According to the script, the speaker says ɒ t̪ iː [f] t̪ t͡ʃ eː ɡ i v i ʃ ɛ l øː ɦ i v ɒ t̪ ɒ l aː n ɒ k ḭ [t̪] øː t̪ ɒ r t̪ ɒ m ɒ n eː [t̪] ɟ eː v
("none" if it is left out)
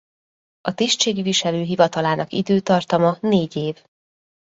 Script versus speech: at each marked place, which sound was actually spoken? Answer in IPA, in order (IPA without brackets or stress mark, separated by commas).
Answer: ʃ, d̪, none